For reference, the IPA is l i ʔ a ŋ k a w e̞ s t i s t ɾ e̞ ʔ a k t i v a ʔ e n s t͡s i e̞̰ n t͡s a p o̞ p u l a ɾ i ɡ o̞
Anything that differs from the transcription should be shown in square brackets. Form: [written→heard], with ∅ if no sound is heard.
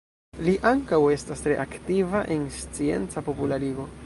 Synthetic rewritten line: l i ʔ a ŋ k a w e̞ s t [i→a] s t ɾ e̞ ʔ a k t i v a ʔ e n s t͡s i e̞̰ n t͡s a p o̞ p u l a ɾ i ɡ o̞